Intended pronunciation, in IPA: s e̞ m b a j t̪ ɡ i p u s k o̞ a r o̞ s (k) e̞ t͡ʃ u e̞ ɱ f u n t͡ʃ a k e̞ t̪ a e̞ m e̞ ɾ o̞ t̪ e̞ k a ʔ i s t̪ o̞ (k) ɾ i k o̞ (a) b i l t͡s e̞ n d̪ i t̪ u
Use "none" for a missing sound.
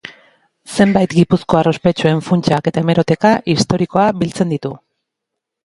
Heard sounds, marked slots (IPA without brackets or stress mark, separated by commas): p, none, a